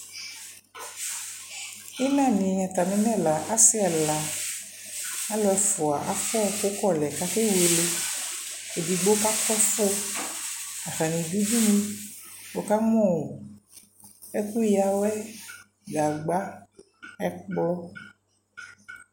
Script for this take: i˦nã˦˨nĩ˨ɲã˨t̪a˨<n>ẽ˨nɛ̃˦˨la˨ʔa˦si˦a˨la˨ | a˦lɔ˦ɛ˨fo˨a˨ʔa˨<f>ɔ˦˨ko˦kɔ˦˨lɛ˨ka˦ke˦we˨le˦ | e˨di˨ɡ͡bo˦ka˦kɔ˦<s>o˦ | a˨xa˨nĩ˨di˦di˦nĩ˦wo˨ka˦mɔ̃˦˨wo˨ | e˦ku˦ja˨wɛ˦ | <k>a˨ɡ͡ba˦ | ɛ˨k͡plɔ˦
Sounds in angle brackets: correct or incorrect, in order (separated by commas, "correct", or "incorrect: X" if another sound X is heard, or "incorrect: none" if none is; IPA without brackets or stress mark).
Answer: incorrect: m, correct, incorrect: f, incorrect: ɡ